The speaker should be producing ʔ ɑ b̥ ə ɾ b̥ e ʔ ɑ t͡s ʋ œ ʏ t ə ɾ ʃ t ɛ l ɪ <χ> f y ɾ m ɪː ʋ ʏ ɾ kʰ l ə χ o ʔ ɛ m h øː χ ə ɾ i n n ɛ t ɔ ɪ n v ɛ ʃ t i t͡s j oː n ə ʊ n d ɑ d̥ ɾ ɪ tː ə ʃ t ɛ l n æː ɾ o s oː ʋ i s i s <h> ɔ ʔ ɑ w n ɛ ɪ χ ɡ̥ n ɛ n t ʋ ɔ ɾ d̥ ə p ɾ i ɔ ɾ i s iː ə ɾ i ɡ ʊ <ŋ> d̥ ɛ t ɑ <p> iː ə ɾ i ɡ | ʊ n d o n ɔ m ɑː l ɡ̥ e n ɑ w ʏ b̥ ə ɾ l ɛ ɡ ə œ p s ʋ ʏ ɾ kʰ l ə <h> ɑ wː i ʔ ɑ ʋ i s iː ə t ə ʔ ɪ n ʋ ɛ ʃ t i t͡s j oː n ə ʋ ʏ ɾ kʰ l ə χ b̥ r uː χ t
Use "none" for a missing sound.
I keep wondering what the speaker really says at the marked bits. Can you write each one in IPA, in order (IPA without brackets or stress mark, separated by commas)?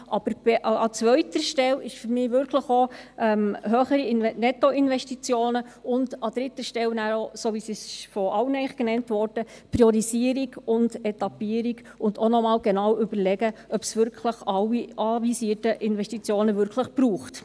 ʃ, f, n, p, χ